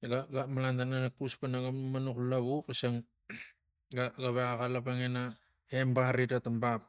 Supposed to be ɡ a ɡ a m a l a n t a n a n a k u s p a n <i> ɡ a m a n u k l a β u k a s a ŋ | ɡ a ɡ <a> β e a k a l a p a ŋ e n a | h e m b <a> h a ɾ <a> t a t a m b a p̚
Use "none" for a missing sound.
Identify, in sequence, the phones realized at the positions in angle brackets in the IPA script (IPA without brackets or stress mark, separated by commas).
a, a, a, i